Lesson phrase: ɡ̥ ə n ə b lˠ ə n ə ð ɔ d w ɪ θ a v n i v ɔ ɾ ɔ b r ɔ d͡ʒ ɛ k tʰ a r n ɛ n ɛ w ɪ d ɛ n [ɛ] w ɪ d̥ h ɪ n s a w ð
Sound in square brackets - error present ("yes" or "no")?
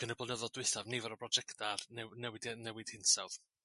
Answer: no